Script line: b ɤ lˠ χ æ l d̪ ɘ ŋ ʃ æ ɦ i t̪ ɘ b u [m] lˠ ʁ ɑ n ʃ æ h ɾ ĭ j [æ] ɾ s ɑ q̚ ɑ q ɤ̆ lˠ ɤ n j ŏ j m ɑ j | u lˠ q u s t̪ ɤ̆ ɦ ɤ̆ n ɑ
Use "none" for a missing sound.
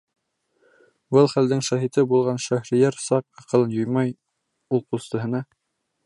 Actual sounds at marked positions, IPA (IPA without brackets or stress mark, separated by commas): none, æ